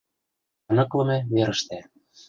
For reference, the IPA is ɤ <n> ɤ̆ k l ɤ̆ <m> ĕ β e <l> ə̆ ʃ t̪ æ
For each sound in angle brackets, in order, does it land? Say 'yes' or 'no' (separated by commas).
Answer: yes, yes, no